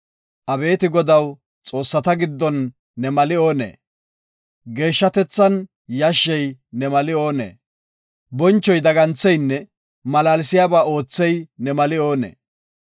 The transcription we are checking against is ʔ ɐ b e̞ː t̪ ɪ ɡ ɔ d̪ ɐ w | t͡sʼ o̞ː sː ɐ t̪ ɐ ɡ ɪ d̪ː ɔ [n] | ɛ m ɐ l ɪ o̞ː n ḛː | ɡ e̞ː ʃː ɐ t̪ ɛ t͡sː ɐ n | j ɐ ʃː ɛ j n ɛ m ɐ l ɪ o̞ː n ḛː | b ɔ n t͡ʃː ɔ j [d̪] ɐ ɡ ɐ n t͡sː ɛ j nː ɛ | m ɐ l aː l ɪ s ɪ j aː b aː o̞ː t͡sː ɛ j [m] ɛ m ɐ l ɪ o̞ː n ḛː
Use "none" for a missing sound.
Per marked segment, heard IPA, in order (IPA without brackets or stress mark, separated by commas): nː, d̪, n